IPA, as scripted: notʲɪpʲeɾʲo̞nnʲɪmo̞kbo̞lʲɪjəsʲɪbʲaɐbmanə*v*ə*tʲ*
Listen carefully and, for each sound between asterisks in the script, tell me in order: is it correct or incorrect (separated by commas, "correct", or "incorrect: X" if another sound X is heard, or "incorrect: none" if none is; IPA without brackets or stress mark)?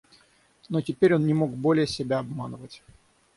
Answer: correct, correct